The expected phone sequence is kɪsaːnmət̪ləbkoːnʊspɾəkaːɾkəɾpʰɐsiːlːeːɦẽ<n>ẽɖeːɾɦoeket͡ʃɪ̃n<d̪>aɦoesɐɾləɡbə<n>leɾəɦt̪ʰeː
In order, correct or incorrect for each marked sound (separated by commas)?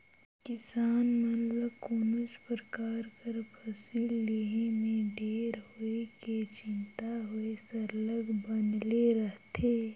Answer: incorrect, incorrect, correct